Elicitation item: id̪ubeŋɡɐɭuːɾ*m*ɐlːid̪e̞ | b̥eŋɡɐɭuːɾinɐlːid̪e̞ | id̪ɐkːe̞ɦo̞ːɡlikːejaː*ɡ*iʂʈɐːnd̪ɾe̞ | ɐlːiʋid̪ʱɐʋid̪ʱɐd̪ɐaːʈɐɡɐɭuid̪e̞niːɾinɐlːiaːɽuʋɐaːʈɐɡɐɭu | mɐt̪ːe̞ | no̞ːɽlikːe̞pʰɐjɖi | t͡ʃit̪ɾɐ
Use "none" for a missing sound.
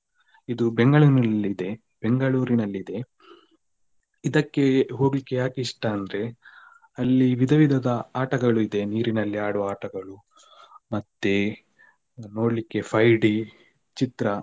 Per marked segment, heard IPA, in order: n, k

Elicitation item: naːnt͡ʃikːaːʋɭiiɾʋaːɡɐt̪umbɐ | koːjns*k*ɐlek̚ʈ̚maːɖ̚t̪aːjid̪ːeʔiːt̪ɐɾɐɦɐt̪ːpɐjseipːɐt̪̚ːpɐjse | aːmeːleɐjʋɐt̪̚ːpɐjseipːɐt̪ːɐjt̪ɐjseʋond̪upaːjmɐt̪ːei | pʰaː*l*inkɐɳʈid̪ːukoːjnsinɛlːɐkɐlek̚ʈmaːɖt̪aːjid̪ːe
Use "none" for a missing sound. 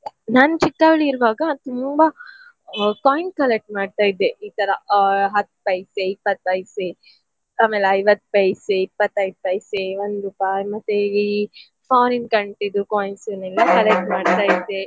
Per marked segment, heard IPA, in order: k, ɾ

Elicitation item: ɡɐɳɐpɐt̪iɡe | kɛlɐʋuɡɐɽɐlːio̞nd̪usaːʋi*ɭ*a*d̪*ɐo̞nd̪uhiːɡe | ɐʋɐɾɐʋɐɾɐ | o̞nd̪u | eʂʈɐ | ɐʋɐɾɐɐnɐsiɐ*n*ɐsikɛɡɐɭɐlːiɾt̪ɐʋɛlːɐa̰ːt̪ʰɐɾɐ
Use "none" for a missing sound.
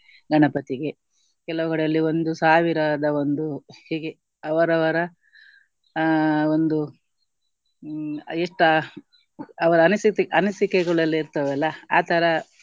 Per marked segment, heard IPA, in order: ɾ, d̪, n

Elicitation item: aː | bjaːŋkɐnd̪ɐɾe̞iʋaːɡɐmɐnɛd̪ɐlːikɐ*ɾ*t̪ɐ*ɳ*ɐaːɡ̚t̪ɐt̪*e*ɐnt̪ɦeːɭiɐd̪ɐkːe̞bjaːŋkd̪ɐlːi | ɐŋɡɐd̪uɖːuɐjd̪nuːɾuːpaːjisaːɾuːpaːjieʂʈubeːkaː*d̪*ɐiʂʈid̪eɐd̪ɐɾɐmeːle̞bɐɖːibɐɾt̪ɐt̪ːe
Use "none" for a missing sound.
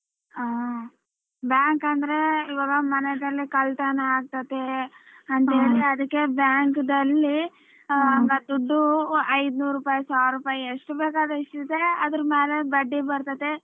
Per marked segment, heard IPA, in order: l, n, e, d̪

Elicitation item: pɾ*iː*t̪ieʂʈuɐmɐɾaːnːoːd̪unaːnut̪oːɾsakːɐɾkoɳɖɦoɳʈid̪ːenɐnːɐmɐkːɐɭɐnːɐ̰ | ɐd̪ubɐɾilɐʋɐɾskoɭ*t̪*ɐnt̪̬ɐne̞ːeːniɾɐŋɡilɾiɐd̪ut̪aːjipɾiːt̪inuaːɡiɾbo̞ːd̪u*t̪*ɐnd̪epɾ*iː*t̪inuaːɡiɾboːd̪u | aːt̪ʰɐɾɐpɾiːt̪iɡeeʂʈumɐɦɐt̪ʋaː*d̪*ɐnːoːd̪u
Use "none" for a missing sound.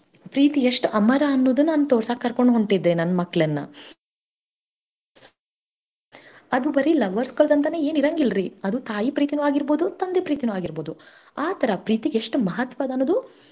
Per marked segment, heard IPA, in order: iː, d̪, t̪, iː, d̪

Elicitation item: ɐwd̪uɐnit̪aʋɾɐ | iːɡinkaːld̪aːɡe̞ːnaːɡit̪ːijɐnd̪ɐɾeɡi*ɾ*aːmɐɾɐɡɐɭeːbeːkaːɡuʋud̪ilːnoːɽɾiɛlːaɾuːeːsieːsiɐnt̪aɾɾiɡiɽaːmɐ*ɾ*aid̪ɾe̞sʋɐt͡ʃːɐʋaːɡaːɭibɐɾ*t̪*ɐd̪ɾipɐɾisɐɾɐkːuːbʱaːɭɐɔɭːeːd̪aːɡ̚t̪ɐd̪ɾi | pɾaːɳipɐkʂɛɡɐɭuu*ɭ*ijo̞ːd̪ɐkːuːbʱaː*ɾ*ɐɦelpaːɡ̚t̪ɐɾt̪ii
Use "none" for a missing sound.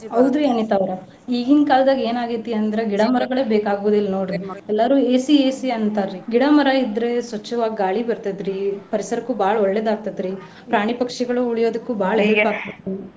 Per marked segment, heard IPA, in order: ɽ, ɾ, t̪, ɭ, ɭ

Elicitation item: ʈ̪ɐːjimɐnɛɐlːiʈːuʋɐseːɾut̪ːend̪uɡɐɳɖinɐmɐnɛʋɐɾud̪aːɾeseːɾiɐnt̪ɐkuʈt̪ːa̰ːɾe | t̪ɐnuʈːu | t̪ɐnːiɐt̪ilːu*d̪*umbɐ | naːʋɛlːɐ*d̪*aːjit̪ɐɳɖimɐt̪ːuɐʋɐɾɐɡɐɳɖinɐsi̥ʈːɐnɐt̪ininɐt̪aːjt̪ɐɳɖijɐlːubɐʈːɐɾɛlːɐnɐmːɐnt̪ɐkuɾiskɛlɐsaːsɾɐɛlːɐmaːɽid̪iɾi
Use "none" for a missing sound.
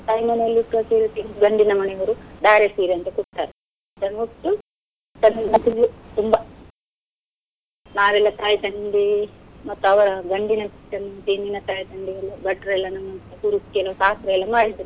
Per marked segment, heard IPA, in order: t̪, t̪

